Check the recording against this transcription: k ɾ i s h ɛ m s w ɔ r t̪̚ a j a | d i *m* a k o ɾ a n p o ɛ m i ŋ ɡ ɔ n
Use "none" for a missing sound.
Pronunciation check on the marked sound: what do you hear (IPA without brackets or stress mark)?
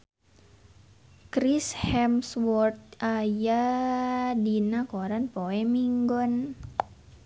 n